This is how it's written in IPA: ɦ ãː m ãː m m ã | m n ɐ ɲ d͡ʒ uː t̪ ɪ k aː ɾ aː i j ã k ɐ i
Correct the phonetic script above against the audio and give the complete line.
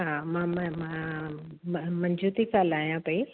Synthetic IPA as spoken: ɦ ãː m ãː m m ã | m m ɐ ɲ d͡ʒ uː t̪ i k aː l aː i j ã p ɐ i